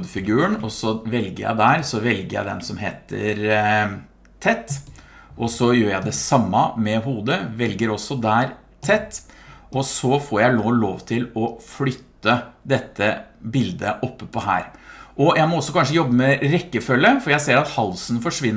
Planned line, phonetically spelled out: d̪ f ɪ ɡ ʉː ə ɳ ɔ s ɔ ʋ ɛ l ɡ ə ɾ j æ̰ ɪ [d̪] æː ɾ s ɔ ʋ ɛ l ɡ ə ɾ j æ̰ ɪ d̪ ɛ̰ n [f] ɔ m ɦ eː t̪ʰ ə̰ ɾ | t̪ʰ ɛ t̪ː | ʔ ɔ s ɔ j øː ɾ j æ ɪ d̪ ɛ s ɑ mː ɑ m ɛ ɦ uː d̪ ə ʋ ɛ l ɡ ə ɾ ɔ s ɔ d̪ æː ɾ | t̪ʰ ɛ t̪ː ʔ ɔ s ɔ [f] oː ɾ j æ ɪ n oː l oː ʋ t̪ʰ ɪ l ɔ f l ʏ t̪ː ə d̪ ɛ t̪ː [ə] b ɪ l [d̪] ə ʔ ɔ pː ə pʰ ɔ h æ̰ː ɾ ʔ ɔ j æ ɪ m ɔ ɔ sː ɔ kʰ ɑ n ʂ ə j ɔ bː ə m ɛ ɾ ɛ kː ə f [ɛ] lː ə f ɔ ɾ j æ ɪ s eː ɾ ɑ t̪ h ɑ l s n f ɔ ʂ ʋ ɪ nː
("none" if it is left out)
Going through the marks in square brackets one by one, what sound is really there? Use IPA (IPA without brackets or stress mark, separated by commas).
d̪, s, f, ə, d̪, œ